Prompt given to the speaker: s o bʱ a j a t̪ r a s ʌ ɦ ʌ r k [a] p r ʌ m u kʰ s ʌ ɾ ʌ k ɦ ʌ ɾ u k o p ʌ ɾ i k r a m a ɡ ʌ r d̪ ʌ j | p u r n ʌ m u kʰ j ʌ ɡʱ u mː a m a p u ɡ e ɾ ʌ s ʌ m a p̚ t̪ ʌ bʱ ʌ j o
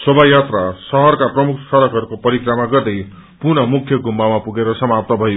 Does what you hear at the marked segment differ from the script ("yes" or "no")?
no